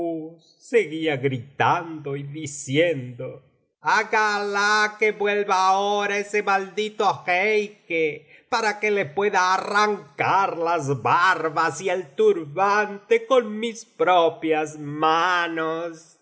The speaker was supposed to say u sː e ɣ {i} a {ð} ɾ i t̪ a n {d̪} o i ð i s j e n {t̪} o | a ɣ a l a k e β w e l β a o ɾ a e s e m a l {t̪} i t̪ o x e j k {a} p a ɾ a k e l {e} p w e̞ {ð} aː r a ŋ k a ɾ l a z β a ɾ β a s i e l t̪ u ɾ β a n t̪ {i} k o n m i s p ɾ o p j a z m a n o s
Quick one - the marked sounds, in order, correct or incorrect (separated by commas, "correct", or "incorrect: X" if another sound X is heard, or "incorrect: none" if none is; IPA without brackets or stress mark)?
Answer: correct, incorrect: ɣ, correct, incorrect: d̪, incorrect: d̪, incorrect: e, correct, correct, incorrect: e